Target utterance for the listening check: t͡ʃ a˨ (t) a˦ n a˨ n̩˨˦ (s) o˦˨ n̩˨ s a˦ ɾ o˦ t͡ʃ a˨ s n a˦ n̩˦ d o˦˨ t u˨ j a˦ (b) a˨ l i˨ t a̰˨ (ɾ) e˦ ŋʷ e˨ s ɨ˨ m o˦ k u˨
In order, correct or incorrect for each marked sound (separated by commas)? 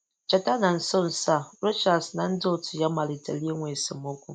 correct, correct, incorrect, incorrect